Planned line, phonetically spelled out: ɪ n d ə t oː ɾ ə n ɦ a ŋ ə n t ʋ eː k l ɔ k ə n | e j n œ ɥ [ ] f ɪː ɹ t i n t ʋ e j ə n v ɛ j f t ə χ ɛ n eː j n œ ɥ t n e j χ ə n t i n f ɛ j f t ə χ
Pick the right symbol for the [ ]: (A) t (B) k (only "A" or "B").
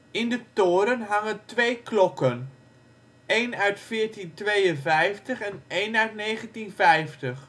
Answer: A